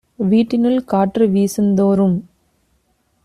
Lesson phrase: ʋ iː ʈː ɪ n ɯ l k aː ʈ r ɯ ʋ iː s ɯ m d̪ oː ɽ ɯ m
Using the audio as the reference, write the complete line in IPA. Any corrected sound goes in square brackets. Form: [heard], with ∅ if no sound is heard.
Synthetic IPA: ʋ iː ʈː ɪ n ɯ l k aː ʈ r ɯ ʋ iː s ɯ [n] d̪ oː [ɾ] ɯ m

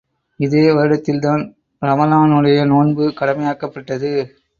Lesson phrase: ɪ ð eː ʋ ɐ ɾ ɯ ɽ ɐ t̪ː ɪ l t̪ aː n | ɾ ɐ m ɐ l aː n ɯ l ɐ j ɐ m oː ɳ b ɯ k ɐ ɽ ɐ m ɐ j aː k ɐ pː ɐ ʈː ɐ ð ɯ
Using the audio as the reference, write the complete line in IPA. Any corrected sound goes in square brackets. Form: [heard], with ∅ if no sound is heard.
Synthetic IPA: ɪ ð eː ʋ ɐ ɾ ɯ ɽ ɐ t̪ː ɪ l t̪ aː n | ɾ ɐ m ɐ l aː n ɯ [ɽ] ɐ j ɐ [n] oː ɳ b ɯ k ɐ ɽ ɐ m ɐ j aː k ɐ pː ɐ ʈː ɐ ð ɯ

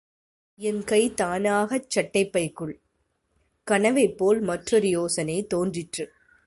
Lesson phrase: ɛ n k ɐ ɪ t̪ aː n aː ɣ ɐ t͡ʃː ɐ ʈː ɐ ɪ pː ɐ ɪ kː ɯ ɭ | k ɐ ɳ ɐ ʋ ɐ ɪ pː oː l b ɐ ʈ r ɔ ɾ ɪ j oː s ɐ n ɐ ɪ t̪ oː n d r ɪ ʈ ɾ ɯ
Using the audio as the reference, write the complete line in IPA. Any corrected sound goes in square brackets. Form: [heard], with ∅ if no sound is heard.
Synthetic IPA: ɛ n k ɐ ɪ t̪ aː n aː ɣ ɐ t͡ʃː ɐ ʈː ɐ ɪ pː ɐ ɪ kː ɯ ɭ | k ɐ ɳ ɐ ʋ ɐ ɪ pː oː l [m] ɐ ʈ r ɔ ɾ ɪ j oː s ɐ n ɐ ɪ t̪ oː n d r ɪ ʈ [r] ɯ

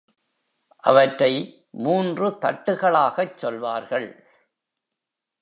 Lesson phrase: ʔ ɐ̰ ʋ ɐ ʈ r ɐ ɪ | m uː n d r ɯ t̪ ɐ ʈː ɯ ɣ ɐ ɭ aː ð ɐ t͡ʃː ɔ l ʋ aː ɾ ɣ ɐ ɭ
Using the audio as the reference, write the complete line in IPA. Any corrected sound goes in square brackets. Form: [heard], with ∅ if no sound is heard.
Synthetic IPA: ʔ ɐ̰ ʋ ɐ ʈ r ɐ ɪ | m uː n d r ɯ t̪ ɐ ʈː ɯ ɣ ɐ ɭ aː [ɣ] ɐ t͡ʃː ɔ l ʋ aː ɾ ɣ ɐ ɭ

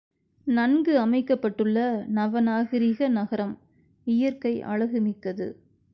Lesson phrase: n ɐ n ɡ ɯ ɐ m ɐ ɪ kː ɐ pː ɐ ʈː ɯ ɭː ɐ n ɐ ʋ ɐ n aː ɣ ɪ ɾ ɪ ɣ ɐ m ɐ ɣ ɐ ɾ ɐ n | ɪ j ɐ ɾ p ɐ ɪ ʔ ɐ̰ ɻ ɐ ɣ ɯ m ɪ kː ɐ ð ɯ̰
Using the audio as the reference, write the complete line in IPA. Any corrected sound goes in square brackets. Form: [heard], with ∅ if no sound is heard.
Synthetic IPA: n ɐ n ɡ ɯ ɐ m ɐ ɪ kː ɐ pː ɐ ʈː ɯ ɭː ɐ n ɐ ʋ ɐ n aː ɣ ɪ ɾ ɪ ɣ ɐ [n] ɐ ɣ ɐ ɾ ɐ [m] | ɪ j ɐ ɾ [k] ɐ ɪ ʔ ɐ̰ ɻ ɐ ɣ ɯ m ɪ kː ɐ ð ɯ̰

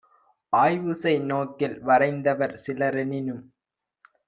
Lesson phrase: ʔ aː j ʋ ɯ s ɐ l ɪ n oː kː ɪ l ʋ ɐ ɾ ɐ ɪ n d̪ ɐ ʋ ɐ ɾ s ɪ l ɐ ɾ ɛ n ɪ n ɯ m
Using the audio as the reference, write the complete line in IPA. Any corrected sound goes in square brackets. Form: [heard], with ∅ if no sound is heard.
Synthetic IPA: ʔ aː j ʋ ɯ s ɐ [∅] ɪ n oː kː ɪ l ʋ ɐ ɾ ɐ ɪ n d̪ ɐ ʋ ɐ ɾ s ɪ l ɐ ɾ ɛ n ɪ n ɯ m

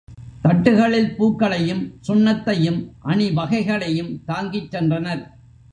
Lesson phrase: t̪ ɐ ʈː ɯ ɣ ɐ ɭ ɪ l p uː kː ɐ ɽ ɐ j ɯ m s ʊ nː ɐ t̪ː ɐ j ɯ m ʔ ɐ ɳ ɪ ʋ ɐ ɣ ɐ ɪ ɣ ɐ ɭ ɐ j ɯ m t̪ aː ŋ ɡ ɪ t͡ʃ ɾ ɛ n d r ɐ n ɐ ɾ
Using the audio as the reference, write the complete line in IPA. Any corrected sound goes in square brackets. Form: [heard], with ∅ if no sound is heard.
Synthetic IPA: t̪ ɐ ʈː ɯ ɣ ɐ ɭ ɪ l p uː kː ɐ [ɭ] ɐ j ɯ m s ʊ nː ɐ t̪ː ɐ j ɯ m ʔ ɐ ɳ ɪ ʋ ɐ ɣ ɐ ɪ ɣ ɐ ɭ ɐ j ɯ m t̪ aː ŋ ɡ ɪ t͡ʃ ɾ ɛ n d r ɐ n ɐ ɾ

